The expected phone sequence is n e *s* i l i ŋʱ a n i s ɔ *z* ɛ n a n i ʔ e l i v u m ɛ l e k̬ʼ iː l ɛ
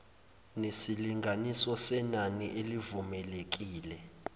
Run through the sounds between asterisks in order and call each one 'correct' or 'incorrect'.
correct, incorrect: s

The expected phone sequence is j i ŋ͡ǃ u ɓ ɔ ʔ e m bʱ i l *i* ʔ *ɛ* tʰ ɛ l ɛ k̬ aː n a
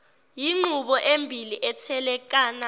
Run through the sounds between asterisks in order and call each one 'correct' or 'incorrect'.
correct, correct

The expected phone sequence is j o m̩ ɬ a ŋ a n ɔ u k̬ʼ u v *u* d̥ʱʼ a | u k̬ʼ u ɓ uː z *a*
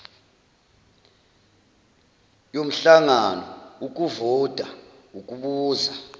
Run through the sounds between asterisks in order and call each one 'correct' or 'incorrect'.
incorrect: ɔ, correct

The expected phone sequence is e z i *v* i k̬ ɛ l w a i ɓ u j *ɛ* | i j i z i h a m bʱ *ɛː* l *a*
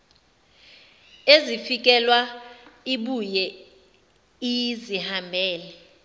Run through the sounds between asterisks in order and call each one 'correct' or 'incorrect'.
incorrect: f, correct, correct, incorrect: ɛ

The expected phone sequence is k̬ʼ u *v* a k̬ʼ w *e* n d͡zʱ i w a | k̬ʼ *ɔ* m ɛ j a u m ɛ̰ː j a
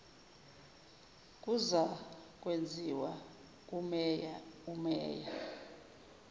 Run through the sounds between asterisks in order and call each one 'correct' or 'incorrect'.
incorrect: z, correct, incorrect: u

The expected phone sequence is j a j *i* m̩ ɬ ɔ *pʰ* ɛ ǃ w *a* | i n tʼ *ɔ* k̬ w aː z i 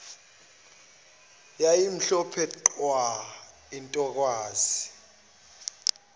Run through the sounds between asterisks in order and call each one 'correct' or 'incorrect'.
correct, correct, correct, correct

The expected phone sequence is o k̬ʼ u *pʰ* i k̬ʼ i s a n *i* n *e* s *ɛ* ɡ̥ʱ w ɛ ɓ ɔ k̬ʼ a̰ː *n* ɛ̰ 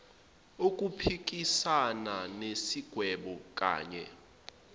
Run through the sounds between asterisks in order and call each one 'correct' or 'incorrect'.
correct, incorrect: a, correct, incorrect: i, incorrect: ɲ

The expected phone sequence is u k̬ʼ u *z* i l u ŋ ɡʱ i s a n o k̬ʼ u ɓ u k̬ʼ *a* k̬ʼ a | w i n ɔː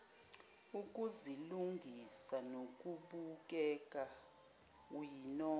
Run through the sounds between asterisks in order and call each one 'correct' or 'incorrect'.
correct, incorrect: ɛ

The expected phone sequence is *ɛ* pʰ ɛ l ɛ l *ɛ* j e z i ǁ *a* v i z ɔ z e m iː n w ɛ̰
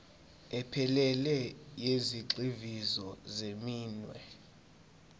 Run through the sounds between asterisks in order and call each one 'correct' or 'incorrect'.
correct, correct, incorrect: i

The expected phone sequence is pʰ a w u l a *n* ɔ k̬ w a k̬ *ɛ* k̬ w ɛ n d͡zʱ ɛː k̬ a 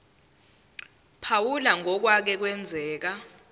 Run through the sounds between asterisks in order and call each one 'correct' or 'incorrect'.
incorrect: ŋ, correct

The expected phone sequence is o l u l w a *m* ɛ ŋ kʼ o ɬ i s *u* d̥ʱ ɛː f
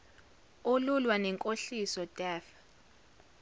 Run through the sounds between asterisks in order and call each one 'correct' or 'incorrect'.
incorrect: n, incorrect: ɔ

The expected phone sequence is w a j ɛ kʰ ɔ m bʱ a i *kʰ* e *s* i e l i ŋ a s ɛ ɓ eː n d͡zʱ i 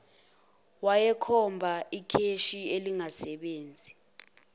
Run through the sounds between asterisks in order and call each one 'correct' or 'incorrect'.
correct, incorrect: ʃ

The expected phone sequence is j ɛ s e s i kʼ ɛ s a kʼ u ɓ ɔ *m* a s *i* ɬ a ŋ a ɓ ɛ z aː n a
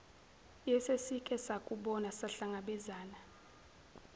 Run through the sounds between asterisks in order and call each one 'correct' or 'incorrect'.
incorrect: n, incorrect: a

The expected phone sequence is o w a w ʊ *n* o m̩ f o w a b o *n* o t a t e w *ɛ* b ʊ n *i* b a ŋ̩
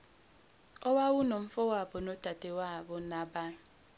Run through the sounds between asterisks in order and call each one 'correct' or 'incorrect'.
correct, correct, incorrect: a, incorrect: a

